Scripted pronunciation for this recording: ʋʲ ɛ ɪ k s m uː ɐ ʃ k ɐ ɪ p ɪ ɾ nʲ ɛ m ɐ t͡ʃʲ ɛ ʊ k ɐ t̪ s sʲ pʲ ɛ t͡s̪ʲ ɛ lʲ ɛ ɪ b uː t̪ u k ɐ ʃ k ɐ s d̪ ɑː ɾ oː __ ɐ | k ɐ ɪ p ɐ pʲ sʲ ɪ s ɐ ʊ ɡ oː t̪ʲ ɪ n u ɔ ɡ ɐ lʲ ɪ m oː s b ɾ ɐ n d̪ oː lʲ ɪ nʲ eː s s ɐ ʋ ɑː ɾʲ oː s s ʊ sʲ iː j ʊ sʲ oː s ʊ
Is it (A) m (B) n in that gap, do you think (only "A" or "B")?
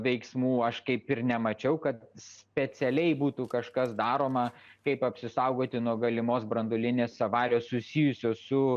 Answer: A